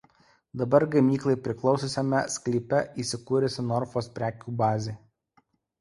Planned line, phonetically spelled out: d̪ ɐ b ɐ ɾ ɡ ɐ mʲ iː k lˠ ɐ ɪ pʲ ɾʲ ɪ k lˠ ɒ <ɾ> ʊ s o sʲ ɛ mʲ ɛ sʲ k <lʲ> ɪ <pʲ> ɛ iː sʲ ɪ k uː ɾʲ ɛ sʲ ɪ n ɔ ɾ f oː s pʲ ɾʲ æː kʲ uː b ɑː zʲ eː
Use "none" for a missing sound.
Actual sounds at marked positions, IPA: none, lʲ, pʲ

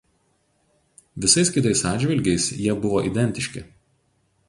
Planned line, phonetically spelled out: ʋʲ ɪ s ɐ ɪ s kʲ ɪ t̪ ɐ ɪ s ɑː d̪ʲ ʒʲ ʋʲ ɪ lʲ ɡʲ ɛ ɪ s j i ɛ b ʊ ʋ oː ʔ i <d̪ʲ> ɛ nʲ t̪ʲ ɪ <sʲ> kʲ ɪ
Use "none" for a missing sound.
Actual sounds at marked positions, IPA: d̪ʲ, ʃʲ

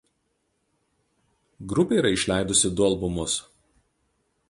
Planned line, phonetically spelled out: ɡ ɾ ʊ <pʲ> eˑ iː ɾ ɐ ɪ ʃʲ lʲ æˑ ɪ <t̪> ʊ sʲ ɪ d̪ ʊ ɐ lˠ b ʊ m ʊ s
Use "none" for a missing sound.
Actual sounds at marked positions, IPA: pʲ, d̪

